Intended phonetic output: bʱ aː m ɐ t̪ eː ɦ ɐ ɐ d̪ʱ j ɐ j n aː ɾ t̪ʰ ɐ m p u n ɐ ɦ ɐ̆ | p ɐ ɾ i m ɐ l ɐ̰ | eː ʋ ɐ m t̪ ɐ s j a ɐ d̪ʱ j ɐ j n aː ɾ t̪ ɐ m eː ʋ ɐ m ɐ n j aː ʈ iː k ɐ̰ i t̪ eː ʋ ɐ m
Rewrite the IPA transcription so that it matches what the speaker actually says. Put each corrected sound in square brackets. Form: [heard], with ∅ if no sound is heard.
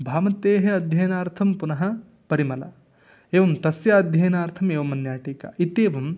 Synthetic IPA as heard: bʱ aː m ɐ t̪ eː ɦ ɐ ɐ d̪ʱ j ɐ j n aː ɾ t̪ʰ ɐ m p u n ɐ ɦ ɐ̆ | p ɐ ɾ i m ɐ l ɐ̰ | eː ʋ ɐ m t̪ ɐ s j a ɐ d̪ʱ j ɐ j n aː ɾ [t̪ʰ] ɐ m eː ʋ ɐ m ɐ n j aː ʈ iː k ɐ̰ i t̪ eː ʋ ɐ m